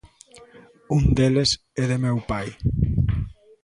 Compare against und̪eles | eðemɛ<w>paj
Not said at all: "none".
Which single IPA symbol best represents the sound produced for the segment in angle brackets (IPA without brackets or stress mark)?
w